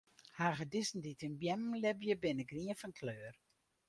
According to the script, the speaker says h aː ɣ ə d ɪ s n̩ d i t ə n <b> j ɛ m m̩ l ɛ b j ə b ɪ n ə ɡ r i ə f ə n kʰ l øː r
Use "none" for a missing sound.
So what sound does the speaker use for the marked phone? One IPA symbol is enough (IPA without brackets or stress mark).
b